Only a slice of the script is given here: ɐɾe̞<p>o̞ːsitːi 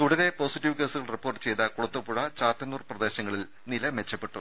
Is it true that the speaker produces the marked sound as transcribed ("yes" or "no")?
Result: yes